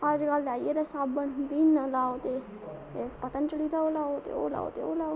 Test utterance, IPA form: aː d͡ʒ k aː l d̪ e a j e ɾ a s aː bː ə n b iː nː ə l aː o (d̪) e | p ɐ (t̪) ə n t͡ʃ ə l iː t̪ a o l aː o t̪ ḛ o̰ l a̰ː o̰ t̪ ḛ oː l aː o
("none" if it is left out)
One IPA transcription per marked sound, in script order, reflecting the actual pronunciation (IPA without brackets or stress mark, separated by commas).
t̪, t̪